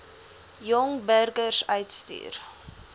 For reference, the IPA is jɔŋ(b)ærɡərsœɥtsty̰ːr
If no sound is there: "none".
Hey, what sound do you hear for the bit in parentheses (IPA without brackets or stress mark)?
b